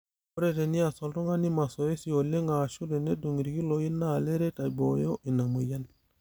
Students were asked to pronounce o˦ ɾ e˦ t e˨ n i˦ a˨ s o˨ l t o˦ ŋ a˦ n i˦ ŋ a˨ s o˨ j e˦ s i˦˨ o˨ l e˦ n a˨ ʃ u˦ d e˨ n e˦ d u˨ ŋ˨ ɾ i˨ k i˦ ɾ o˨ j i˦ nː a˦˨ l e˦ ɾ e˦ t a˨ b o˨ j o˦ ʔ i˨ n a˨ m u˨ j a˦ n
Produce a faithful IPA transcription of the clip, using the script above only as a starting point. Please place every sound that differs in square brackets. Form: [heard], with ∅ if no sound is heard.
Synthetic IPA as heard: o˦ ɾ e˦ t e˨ n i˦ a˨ s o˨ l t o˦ ŋ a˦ n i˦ [m] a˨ s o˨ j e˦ s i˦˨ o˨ l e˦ [ŋ] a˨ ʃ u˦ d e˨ n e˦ d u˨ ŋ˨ ɾ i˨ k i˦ [l] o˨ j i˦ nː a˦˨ l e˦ ɾ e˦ t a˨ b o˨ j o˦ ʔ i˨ n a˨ m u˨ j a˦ n